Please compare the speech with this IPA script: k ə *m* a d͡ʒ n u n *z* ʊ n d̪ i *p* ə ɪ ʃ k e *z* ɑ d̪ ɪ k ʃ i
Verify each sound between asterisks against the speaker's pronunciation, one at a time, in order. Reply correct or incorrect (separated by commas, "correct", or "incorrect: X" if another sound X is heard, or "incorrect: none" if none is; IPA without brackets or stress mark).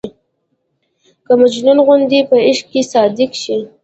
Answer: correct, incorrect: ɣ, correct, incorrect: s